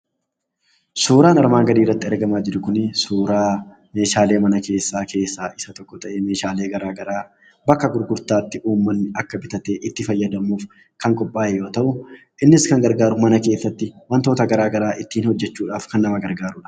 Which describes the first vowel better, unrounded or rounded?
rounded